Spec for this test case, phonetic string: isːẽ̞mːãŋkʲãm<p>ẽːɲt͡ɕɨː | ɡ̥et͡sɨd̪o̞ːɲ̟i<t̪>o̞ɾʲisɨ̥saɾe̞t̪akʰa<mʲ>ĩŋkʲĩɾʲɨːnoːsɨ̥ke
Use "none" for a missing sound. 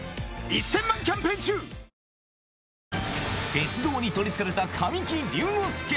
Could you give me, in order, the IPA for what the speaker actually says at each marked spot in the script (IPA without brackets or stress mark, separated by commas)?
p, t̪, mʲ